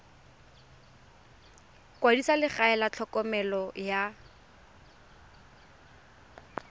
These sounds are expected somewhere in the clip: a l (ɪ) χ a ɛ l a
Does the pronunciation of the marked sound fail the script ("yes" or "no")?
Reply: no